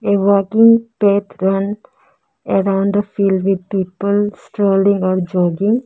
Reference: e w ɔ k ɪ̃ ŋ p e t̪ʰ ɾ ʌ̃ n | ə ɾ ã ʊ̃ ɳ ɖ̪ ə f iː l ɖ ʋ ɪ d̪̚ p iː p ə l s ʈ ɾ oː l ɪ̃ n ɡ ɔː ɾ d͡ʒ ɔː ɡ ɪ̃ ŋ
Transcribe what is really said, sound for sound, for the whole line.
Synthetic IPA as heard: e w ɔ k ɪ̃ ŋ p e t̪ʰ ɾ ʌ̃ n | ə ɾ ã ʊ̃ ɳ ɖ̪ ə f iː l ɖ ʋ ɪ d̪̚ p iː p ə l s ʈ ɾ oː l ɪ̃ ŋ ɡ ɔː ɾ d͡ʒ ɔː ɡ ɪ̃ ŋ